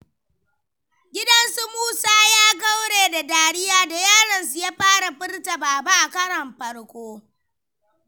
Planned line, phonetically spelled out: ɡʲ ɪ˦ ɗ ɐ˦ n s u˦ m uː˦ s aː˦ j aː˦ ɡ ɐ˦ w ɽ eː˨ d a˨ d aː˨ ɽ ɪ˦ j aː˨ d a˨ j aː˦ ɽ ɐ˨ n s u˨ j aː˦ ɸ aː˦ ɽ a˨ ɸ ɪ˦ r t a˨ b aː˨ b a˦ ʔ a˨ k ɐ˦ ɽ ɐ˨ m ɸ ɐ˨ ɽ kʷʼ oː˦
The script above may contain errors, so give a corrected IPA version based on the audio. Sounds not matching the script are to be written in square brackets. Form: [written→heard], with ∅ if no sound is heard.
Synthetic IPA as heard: ɡʲ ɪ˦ [ɗ→d] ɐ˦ n s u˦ m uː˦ s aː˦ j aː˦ ɡ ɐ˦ w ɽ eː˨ d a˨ d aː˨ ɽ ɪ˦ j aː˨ d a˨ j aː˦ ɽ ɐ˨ n s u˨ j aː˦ ɸ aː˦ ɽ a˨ ɸ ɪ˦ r t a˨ b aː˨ b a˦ ʔ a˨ k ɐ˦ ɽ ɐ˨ m ɸ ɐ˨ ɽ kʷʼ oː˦